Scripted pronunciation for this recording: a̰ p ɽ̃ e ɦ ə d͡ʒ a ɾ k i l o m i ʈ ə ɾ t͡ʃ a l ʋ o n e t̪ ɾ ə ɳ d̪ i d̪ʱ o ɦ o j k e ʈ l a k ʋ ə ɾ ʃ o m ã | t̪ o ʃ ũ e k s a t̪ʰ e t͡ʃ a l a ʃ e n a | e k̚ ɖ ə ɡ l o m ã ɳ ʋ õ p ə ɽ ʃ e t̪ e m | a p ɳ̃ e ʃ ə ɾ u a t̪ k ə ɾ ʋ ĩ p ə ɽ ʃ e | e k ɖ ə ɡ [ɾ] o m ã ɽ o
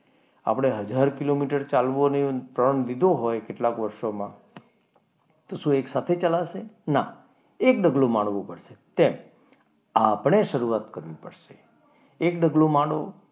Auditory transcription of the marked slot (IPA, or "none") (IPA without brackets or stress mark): l